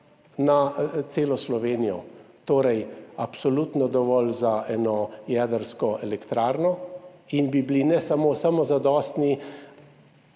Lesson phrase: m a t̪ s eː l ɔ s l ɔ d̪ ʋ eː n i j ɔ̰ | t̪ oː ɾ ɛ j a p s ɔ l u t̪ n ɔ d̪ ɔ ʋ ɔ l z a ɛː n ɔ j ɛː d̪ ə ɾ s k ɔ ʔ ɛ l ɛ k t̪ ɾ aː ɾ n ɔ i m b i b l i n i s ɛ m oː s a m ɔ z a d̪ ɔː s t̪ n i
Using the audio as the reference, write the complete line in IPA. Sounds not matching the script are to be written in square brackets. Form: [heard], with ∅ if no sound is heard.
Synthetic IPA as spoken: [n] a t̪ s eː l ɔ s l ɔ [∅] ʋ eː n i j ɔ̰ | t̪ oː ɾ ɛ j a p s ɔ l u t̪ n ɔ d̪ ɔ ʋ ɔ l z a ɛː n ɔ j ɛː d̪ ə ɾ s k ɔ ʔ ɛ l ɛ k t̪ ɾ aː ɾ n ɔ i [n] b i b l i n [ɛ] s [a] m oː s a m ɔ z a d̪ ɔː s t̪ n i